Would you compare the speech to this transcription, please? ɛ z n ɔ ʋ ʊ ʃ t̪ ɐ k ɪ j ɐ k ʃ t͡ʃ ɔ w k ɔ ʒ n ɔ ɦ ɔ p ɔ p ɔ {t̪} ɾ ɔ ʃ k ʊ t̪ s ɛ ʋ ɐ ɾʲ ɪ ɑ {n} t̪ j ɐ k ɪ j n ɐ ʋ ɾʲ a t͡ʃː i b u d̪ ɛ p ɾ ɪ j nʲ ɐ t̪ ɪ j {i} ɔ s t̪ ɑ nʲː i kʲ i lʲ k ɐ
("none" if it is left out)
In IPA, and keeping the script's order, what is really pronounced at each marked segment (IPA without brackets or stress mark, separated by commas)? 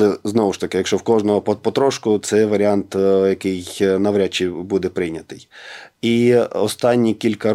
t̪, n, i